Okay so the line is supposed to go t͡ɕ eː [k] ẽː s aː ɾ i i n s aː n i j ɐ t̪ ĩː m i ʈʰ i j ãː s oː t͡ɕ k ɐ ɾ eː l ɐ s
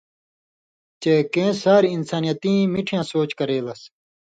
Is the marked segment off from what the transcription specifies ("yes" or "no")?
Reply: no